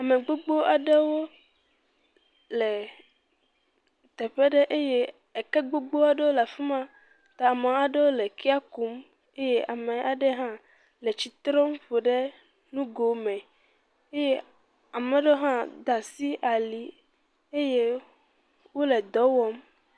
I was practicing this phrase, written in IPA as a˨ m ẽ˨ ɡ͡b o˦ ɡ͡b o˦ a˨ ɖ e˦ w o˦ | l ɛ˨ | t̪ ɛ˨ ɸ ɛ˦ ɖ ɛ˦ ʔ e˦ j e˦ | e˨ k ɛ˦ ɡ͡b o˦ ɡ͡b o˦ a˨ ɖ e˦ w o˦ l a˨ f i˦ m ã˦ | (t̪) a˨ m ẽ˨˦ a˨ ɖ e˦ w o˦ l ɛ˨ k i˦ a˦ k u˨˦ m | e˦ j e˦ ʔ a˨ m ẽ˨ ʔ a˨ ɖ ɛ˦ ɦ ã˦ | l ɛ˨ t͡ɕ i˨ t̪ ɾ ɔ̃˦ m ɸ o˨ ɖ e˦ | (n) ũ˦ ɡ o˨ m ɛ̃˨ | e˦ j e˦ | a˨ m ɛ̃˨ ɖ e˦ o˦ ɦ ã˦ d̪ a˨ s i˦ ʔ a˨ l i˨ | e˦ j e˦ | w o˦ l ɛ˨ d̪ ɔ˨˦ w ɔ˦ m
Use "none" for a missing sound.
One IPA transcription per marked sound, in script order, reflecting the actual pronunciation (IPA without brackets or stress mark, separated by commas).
t̪, n